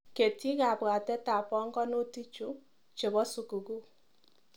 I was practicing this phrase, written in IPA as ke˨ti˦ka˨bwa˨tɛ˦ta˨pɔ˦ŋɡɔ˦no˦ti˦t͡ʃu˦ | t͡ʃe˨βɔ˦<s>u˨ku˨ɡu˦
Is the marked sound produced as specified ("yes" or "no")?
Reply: yes